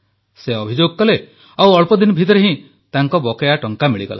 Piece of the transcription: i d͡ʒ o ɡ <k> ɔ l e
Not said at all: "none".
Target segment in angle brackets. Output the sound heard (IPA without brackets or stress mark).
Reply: k